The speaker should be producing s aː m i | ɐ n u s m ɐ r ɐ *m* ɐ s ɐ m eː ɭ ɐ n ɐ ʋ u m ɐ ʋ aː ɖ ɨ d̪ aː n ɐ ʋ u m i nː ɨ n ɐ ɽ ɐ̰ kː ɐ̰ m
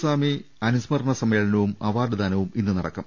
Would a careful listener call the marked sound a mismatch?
yes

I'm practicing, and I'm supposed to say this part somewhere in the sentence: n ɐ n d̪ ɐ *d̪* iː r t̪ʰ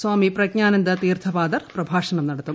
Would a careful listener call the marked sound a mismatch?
yes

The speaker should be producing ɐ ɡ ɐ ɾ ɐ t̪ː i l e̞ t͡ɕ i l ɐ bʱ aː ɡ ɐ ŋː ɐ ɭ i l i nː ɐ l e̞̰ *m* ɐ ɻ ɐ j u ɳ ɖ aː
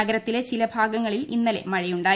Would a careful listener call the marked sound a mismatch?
no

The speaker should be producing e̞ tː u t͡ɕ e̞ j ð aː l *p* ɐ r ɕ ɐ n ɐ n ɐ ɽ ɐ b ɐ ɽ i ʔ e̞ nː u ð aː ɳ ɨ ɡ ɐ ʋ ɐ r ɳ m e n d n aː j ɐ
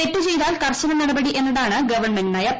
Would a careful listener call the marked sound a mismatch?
yes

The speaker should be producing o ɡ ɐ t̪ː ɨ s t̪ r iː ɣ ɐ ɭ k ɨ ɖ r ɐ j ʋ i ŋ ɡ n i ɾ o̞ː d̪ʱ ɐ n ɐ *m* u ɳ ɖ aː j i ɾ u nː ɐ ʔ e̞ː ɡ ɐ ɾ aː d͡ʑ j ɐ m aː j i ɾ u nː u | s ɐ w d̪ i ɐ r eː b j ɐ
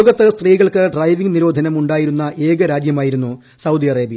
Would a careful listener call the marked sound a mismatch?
no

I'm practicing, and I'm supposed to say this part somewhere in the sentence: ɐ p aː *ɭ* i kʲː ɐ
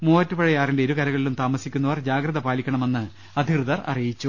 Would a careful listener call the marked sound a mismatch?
yes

